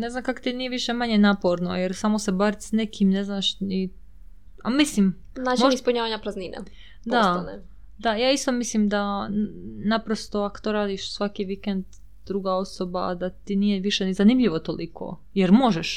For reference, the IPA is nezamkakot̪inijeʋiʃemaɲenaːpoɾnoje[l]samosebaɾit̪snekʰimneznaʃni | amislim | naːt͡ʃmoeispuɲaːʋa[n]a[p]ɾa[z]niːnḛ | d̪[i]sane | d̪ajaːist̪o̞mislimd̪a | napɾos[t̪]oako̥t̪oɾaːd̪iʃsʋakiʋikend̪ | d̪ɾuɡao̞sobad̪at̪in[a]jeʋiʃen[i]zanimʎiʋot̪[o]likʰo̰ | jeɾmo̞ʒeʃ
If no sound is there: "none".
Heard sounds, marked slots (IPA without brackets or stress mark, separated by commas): ɾ, ɲ, p, z, a, t̪, i, i, o